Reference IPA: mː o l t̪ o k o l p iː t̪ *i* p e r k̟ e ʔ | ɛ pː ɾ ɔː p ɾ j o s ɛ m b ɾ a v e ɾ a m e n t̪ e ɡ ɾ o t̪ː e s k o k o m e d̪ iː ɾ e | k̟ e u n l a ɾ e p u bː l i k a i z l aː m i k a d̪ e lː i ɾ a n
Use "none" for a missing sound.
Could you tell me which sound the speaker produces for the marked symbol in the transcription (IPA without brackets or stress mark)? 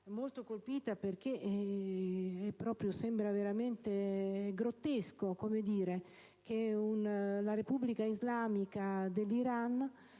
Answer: a